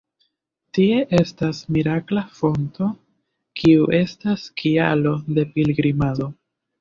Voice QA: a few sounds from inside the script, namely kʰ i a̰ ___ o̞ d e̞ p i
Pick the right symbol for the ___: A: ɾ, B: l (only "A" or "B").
B